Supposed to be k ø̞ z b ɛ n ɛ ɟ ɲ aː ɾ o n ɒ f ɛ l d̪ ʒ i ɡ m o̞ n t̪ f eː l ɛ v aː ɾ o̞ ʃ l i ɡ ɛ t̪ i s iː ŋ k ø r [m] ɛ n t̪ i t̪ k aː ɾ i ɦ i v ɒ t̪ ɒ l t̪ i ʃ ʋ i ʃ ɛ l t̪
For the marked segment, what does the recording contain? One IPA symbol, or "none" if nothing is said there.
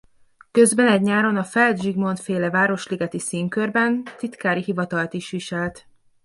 b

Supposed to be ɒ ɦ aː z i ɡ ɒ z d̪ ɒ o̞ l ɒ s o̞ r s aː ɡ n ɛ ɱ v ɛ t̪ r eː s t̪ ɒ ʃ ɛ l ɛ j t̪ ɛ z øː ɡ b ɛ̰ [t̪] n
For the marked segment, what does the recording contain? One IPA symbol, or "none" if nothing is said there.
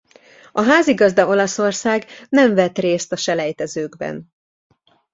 none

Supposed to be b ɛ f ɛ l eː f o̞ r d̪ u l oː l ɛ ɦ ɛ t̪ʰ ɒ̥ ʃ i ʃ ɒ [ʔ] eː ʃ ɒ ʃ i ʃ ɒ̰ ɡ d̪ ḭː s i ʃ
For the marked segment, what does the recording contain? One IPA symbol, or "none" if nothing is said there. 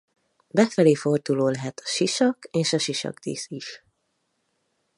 k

